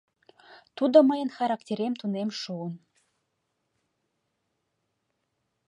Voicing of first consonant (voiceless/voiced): voiceless